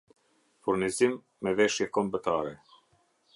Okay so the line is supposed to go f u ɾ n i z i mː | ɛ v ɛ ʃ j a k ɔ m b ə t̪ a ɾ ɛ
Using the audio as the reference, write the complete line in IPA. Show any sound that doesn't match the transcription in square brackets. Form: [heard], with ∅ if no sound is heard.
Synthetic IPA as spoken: f u ɾ n i z i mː | ɛ v ɛ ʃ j [ɛ] k ɔ m b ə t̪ a ɾ ɛ